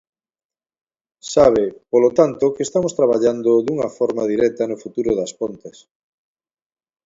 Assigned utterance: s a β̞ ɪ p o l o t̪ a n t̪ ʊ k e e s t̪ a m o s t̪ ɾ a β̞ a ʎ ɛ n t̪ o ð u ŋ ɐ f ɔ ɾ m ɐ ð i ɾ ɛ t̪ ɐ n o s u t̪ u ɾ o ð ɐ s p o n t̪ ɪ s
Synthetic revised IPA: s a β̞ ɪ p o l o t̪ a n t̪ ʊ k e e s t̪ a m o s t̪ ɾ a β̞ a ʎ a n d̪ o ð u ŋ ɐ f ɔ ɾ m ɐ ð i ɾ ɛ t̪ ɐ n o f u t̪ u ɾ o ð ɐ s p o n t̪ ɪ s